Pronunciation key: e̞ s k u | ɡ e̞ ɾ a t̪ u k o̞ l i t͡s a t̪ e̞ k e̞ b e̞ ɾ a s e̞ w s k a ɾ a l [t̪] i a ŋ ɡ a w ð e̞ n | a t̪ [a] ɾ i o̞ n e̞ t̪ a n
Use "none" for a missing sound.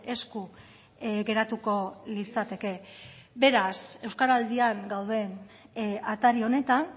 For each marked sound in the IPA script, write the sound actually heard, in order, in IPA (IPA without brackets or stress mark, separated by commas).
d̪, a